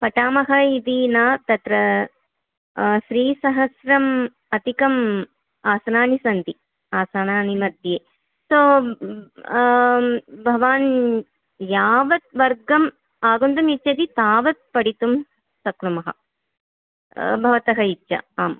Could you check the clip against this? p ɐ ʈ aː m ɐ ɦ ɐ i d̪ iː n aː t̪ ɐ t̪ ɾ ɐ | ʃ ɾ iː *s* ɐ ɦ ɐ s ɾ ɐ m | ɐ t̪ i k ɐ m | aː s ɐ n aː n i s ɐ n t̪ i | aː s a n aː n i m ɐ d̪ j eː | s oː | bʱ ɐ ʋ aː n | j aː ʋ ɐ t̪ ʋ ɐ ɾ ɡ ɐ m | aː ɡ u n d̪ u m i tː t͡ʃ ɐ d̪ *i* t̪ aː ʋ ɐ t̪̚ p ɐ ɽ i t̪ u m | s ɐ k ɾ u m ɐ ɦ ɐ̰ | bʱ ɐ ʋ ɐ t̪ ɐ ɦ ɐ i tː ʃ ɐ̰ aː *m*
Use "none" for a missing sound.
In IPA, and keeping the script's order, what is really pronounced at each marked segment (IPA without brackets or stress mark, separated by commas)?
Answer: s, i, m